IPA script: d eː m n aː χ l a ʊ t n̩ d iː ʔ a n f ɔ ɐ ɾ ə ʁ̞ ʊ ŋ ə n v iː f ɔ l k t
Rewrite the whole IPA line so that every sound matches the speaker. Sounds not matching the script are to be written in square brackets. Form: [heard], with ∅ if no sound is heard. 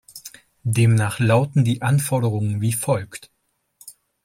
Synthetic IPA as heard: d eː m n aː χ l a ʊ t n̩ d iː ʔ a n f ɔ ɐ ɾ ə ʁ̞ ʊ ŋ ə n v iː f ɔ l k t